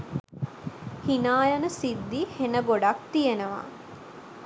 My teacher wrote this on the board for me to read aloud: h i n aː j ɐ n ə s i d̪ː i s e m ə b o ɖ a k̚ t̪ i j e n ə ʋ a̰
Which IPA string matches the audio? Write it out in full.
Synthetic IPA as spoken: h i n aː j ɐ n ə s i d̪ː i h e n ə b o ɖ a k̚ t̪ i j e n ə ʋ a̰